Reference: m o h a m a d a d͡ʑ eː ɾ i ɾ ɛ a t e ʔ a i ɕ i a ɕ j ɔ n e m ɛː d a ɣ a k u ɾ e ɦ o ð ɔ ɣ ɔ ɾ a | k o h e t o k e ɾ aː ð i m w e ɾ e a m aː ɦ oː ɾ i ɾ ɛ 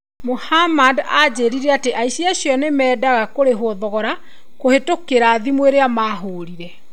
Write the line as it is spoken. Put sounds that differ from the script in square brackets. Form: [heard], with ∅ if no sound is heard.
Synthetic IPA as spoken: m o h a m a d a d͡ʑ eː ɾ i ɾ ɛ a t e ʔ a i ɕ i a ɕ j ɔ n e m ɛː d a ɣ a k [o] ɾ e ɦ o ð ɔ ɣ ɔ ɾ a | k o h e t o k e ɾ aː ð i m w e ɾ e a m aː ɦ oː ɾ i ɾ ɛ